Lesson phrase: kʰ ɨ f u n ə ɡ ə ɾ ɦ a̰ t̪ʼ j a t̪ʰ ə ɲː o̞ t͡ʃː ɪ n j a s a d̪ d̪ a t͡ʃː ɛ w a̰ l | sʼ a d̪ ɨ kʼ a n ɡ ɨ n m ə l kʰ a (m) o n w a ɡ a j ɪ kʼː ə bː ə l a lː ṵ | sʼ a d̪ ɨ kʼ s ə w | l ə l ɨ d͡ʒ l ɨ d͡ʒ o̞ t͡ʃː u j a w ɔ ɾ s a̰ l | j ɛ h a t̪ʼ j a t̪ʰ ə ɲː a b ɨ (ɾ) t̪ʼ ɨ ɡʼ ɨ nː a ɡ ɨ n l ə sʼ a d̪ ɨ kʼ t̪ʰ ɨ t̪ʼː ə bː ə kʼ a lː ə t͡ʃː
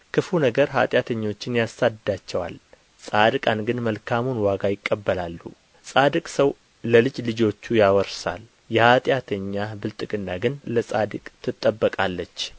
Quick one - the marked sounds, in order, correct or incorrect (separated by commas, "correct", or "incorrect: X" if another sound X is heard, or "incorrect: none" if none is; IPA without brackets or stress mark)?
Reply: correct, incorrect: l